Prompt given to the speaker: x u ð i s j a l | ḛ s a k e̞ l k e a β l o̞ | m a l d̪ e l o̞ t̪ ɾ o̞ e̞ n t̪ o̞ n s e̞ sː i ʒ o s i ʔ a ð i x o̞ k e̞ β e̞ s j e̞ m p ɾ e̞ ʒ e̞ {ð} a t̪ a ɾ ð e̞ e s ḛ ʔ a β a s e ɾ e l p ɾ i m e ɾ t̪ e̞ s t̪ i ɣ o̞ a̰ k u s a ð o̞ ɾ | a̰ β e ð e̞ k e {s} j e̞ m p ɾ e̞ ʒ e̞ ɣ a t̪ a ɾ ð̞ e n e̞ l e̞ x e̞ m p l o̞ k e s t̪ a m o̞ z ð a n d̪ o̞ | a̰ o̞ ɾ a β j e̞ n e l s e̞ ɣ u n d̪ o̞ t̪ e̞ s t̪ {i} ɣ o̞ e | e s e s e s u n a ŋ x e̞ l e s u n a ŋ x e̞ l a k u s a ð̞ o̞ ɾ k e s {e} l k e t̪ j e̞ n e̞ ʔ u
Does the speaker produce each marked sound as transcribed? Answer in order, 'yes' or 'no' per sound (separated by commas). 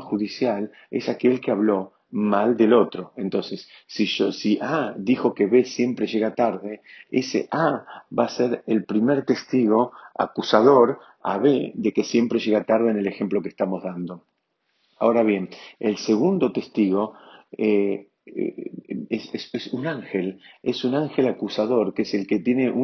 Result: no, yes, yes, yes